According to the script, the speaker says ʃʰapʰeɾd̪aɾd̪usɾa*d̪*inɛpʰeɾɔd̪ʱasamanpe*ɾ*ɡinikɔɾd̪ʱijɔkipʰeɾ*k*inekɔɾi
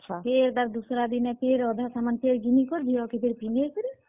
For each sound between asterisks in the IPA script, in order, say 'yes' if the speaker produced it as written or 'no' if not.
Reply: yes, yes, no

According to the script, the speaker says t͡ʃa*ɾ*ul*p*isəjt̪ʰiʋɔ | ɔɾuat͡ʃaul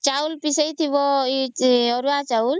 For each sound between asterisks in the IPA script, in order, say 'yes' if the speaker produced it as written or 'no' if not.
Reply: no, yes

